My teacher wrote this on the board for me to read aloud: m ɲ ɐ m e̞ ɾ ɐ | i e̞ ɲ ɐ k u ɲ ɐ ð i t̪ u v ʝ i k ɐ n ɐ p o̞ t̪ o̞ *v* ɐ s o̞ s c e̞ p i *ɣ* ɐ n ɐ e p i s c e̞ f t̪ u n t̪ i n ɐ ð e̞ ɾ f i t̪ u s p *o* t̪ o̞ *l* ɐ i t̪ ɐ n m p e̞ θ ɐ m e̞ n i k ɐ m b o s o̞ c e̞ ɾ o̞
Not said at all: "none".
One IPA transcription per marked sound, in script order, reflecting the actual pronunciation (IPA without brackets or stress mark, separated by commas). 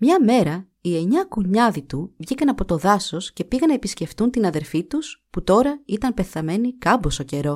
ð, ɣ, u, ɾ